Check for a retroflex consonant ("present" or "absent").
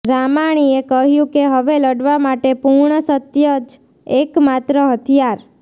present